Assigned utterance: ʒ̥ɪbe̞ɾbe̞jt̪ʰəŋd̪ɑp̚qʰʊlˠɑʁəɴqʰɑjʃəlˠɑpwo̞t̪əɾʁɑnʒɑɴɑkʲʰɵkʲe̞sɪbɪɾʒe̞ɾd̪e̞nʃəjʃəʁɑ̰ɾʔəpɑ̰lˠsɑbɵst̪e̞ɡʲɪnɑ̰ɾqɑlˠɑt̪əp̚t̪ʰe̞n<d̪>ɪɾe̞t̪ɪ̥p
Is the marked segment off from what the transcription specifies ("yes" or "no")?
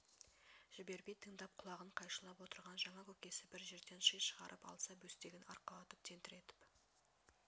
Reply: yes